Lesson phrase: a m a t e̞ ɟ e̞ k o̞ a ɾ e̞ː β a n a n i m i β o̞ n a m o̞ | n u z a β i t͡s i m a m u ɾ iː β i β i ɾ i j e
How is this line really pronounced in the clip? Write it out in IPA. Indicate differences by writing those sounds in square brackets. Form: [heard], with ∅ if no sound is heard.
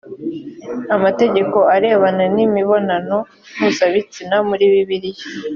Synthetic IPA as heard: a m a t e̞ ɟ e̞ k o̞ a ɾ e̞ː β a n a n i m i β o̞ n a [n] o̞ | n u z a β i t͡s i [n] a m u ɾ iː β i β i ɾ i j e